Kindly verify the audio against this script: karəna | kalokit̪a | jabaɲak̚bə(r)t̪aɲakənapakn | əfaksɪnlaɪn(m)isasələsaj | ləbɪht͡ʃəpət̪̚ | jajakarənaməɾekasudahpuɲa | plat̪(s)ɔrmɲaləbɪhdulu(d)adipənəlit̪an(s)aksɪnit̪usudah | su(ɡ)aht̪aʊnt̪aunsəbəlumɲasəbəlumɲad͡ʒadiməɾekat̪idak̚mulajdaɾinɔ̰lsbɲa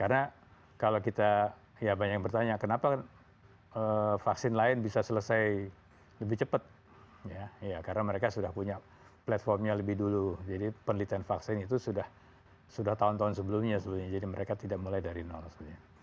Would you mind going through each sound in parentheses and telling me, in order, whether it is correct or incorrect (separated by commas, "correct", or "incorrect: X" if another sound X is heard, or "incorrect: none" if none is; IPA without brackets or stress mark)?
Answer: correct, incorrect: b, incorrect: f, incorrect: d͡ʒ, incorrect: f, incorrect: d